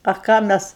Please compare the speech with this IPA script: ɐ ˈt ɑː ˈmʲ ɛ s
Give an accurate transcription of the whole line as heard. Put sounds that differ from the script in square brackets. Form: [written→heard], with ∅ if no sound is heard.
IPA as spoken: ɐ [ˈt→ˈk] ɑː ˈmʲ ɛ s